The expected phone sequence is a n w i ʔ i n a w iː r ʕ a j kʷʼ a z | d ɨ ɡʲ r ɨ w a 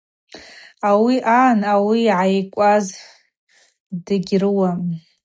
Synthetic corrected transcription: a w i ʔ a n a w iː ʕ a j kʷʼ a z | d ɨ ɡʲ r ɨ w a

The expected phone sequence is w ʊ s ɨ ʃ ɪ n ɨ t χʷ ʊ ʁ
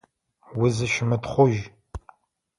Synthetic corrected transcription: w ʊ z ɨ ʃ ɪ m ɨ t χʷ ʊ ʒ

